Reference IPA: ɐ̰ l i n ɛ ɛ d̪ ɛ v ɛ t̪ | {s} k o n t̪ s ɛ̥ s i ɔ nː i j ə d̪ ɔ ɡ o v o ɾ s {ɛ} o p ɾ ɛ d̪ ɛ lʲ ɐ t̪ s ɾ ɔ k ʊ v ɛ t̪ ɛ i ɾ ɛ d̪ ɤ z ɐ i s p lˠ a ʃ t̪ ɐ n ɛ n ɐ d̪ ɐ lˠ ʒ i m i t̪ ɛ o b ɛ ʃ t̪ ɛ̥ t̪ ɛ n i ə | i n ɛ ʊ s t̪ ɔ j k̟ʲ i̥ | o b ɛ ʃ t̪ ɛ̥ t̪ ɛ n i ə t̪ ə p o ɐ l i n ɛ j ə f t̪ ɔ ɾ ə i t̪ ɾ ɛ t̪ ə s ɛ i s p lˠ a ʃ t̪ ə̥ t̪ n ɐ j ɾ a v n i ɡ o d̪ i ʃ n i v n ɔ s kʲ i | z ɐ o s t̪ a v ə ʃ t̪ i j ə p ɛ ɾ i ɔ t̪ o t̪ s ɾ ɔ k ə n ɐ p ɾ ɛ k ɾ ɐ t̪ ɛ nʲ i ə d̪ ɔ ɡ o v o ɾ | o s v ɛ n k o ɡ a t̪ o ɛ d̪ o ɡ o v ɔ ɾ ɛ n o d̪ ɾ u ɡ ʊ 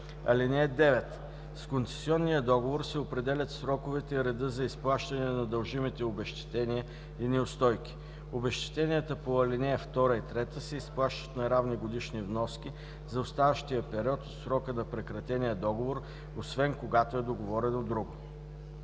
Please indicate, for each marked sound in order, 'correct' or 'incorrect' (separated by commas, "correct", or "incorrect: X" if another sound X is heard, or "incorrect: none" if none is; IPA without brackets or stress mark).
correct, correct